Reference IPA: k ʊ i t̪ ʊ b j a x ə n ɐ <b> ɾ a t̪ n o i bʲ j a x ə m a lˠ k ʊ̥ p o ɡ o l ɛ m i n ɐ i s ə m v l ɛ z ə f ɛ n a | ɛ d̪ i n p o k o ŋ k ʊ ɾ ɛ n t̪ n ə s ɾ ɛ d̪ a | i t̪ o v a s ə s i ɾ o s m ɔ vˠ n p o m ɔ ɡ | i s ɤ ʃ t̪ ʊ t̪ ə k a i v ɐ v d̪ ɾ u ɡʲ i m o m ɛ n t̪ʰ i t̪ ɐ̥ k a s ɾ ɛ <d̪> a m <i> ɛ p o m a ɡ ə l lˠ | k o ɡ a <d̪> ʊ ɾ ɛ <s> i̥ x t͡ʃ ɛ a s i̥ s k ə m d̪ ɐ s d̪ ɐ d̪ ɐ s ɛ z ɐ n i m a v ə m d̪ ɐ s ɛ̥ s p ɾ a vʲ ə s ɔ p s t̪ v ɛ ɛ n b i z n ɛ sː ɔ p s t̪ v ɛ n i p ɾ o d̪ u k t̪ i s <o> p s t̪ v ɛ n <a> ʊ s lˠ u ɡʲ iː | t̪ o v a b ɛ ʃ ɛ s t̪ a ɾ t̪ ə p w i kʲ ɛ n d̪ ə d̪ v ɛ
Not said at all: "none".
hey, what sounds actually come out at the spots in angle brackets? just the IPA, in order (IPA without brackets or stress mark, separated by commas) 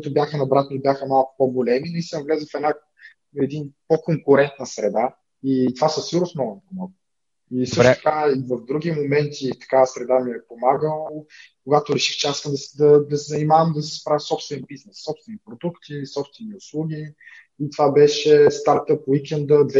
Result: b, d̪, i, t̪, ʃ, ɔ, i